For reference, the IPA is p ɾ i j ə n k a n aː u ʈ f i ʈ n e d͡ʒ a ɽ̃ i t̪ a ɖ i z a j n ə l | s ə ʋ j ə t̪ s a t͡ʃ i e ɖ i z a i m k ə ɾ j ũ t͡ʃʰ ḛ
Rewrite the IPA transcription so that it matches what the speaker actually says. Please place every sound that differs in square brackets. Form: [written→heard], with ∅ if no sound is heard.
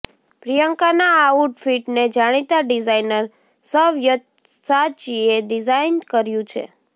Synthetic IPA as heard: p ɾ i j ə [n→ŋ] k a n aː u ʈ f i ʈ n e d͡ʒ a ɽ̃ i t̪ a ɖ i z a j n ə [l→ɾ] | s ə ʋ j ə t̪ s a t͡ʃ i e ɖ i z a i [m→n] k ə ɾ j ũ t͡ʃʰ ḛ